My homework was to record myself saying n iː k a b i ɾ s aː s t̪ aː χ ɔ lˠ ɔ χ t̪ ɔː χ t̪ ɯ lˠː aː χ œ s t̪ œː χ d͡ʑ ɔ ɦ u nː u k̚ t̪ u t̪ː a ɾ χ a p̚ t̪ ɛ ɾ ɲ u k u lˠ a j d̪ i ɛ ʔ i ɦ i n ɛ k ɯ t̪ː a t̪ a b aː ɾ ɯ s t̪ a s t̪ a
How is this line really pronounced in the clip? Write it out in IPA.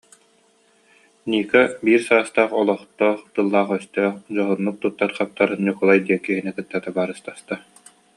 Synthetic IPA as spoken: n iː k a b iː ɾ s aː s t̪ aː χ ɔ lˠ ɔ χ t̪ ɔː χ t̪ ɯ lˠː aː χ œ s t̪ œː χ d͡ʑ ɔ ɦ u nː u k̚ t̪ u t̪ː a ɾ χ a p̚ t̪ a ɾ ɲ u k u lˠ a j d̪ i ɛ k i ɦ i n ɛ k ɯ t̪ː a t̪ a b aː ɾ ɯ s t̪ a s t̪ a